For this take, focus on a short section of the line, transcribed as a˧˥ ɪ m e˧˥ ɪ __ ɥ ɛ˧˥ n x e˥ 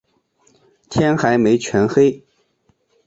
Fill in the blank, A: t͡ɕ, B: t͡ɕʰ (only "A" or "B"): B